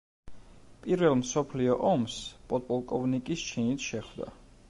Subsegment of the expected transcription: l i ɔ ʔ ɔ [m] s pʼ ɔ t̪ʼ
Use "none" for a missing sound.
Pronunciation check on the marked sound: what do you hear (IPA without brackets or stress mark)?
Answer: m